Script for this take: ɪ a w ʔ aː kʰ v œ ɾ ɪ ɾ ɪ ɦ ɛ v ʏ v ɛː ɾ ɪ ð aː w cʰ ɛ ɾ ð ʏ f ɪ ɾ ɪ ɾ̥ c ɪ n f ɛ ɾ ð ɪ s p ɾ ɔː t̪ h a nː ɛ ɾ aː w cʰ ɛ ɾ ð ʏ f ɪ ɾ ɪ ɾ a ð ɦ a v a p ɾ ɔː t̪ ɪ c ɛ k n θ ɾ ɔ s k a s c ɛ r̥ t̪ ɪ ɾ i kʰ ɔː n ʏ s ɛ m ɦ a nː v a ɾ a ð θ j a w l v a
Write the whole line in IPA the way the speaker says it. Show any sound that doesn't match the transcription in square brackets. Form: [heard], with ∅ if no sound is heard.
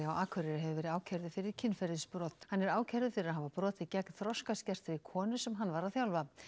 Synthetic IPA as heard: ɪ a w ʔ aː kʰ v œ ɾ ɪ ɾ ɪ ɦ ɛ v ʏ v ɛː ɾ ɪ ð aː w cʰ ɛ ɾ ð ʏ f ɪ ɾ ɪ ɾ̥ [cʰ] ɪ n f ɛ ɾ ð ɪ s p ɾ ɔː t̪ h a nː ɛ ɾ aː w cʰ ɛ ɾ ð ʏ f ɪ ɾ ɪ ɾ a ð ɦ a v a p ɾ ɔː t̪ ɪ c ɛ k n θ ɾ ɔ s k a s c ɛ r̥ t̪ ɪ ɾ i kʰ ɔː n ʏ s ɛ m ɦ a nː v a ɾ a ð θ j a w l v a